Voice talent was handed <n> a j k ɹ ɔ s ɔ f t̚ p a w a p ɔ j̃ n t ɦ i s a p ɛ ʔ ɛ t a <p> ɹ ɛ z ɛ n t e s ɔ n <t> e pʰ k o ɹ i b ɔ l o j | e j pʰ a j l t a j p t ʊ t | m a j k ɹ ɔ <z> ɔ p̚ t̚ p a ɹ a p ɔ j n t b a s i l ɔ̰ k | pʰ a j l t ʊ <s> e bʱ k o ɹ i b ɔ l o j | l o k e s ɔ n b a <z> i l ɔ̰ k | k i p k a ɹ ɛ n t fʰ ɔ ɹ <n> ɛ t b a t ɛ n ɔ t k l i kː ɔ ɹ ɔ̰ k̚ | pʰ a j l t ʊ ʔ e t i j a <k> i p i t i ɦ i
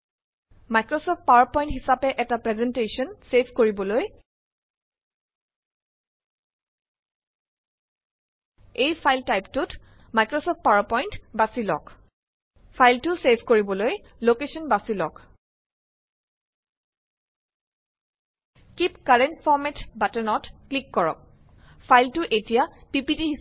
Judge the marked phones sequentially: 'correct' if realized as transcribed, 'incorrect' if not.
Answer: incorrect: m, correct, incorrect: s, incorrect: s, correct, incorrect: s, incorrect: m, incorrect: p

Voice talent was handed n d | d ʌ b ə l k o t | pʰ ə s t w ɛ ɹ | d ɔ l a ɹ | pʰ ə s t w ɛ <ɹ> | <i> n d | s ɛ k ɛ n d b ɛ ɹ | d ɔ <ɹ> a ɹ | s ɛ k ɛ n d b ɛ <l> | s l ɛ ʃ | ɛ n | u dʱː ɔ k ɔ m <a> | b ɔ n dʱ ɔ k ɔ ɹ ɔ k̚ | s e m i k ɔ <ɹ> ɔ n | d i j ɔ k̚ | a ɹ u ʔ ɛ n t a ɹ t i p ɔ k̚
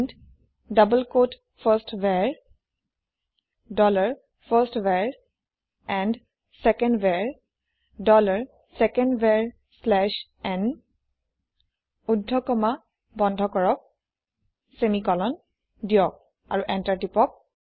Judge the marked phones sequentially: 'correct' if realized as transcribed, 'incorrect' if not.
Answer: correct, incorrect: ɛ, incorrect: l, incorrect: ɹ, correct, incorrect: l

